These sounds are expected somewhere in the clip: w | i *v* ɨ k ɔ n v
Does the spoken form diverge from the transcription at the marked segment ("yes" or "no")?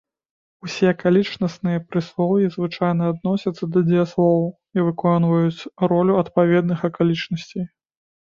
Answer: no